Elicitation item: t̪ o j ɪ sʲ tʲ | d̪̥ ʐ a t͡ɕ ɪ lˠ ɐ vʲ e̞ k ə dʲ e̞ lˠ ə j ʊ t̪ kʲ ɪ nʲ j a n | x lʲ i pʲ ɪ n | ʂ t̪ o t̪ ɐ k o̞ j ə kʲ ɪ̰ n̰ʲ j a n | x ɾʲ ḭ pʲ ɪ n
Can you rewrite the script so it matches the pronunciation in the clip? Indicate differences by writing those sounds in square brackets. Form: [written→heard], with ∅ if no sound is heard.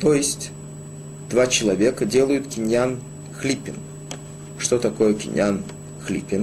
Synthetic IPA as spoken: t̪ o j ɪ sʲ tʲ | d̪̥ [ʐ→v] a t͡ɕ ɪ lˠ ɐ vʲ e̞ k ə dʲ e̞ lˠ ə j ʊ t̪ kʲ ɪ nʲ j a n | x lʲ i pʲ ɪ n | ʂ t̪ o t̪ ɐ k o̞ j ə kʲ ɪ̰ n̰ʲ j a n | x [ɾʲ→lʲ] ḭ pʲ ɪ n